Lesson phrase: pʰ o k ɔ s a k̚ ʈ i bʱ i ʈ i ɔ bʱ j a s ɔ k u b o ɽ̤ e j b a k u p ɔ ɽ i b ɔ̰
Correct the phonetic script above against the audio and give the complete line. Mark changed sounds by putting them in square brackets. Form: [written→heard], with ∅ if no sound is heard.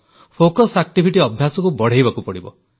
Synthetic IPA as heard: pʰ o k ɔ s a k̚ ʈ i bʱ i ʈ i ɔ bʱ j a s ɔ k u b [o→ɔ] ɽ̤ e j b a k u p ɔ ɽ i b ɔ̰